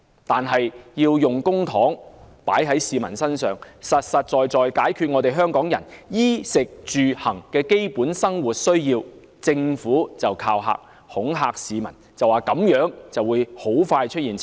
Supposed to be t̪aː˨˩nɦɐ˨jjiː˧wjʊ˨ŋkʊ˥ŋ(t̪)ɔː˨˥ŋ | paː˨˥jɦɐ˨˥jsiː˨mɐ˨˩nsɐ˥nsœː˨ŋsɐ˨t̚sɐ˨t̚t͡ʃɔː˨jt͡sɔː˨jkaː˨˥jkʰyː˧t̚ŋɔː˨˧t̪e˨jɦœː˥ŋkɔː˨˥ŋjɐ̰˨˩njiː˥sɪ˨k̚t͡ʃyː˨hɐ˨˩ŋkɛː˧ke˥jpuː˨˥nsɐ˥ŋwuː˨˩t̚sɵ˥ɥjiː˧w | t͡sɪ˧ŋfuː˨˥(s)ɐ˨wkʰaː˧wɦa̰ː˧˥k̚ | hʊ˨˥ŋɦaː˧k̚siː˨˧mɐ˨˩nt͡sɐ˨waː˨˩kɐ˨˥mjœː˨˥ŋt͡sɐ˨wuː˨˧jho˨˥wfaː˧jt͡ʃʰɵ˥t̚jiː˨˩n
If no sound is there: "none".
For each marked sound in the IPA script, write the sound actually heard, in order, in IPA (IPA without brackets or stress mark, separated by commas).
t̪ʰ, t͡s